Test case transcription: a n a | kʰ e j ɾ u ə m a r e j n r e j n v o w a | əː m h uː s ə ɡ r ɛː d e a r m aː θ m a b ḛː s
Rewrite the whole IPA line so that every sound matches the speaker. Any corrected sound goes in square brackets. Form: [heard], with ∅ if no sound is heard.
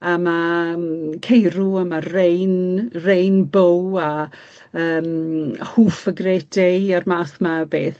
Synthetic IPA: a [m] a | kʰ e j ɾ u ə m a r e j n r e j n [b] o w a | əː m h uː [f] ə ɡ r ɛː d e a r m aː θ m a b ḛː [θ]